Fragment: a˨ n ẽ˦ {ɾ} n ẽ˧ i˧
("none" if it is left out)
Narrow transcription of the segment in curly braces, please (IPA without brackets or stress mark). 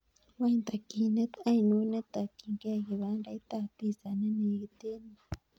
none